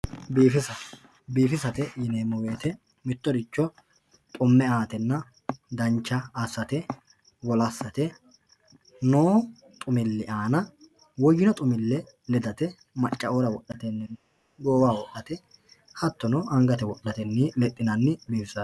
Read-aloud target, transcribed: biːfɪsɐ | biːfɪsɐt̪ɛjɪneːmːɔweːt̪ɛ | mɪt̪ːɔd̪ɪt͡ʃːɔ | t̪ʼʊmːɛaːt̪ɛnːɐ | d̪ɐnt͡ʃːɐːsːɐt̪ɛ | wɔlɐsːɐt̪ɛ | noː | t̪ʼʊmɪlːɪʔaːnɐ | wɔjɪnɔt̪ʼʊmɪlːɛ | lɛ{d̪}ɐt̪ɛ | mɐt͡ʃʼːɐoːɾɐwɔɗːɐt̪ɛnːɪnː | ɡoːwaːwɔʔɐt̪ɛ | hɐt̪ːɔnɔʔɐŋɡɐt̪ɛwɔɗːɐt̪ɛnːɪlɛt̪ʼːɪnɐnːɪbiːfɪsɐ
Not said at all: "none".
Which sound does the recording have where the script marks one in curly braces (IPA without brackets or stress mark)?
d̪